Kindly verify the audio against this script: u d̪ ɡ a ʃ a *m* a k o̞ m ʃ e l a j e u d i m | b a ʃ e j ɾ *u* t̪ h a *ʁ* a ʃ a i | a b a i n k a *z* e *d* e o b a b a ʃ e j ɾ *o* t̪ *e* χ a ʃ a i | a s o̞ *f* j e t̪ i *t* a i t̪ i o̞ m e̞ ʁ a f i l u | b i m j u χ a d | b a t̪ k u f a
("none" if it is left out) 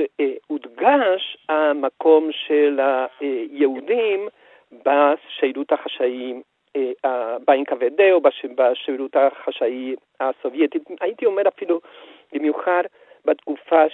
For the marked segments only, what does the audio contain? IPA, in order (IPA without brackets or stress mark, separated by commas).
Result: m, u, χ, v, d, u, a, v, t